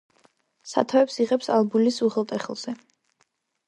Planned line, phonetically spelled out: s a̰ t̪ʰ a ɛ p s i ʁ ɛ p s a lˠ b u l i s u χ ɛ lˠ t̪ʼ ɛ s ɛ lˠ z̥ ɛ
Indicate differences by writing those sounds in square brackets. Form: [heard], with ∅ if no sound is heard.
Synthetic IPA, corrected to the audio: s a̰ t̪ʰ a ɛ p s i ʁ ɛ p s a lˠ b u l i s u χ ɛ lˠ t̪ʼ ɛ [χ] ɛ lˠ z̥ ɛ